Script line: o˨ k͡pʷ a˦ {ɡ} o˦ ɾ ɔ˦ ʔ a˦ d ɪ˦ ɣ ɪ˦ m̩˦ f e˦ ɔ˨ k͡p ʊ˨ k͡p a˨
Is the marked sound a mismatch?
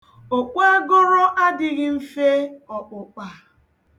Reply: no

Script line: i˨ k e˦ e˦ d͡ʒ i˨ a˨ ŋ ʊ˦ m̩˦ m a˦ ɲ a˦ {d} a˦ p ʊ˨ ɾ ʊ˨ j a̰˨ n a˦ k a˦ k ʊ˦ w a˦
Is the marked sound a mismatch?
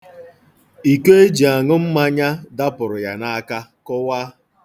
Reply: no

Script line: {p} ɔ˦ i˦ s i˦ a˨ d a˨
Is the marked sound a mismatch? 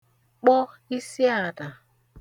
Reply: yes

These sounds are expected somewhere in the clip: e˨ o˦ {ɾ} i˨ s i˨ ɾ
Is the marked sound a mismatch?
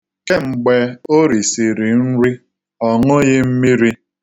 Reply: no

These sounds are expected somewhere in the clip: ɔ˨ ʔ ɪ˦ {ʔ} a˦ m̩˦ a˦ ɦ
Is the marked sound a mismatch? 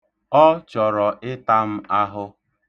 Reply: yes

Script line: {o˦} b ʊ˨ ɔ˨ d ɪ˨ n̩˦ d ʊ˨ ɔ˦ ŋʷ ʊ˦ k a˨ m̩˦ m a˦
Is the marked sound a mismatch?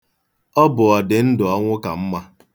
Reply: yes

